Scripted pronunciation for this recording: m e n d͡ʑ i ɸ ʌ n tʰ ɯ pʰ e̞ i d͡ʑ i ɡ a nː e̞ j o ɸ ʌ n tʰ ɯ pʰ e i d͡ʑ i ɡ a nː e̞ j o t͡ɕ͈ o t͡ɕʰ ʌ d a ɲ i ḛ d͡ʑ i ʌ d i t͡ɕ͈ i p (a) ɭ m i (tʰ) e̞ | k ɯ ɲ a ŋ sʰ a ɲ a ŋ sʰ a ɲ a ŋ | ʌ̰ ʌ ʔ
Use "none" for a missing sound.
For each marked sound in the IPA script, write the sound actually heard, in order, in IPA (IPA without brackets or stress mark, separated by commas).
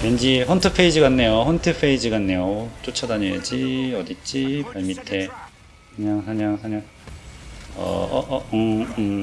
a, tʰ